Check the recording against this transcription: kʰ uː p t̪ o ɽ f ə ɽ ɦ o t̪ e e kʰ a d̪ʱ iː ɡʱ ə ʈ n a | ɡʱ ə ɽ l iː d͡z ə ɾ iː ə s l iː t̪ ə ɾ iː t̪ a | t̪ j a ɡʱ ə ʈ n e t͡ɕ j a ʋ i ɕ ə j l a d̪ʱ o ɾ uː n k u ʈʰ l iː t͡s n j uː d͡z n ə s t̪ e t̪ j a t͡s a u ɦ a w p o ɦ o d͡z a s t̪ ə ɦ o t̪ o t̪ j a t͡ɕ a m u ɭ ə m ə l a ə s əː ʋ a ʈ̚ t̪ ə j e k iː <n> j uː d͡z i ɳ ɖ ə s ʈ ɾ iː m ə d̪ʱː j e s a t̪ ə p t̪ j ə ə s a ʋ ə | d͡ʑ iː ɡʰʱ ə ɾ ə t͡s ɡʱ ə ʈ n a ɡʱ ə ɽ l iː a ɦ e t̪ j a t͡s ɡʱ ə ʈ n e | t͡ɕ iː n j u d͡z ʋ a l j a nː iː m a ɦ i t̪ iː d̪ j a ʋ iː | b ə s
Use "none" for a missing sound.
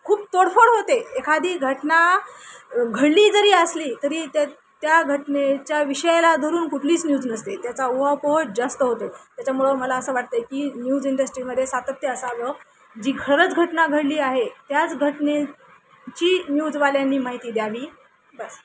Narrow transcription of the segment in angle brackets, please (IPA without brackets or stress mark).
n